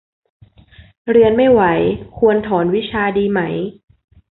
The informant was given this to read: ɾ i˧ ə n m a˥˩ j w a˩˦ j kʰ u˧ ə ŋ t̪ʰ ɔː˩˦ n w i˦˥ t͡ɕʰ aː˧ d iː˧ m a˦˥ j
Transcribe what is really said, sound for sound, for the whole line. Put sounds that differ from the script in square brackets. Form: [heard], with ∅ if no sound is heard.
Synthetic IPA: ɾ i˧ ə n m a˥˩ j w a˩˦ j kʰ u˧ ə [n] t̪ʰ ɔː˩˦ n w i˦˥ t͡ɕʰ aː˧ d iː˧ m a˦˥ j